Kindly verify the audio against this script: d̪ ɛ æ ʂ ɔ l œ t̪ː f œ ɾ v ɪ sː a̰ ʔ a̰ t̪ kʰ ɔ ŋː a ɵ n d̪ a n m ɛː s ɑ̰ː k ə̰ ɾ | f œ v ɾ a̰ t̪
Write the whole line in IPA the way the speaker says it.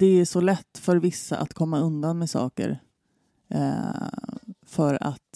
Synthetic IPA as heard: d̪ ɛ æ ʂ ɔ l ɛ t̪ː f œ ɾ v ɪ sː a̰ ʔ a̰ t̪ kʰ ɔ mː a ɵ n d̪ a n m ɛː s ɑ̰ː k ə̰ ɾ | f œ ɾ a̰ t̪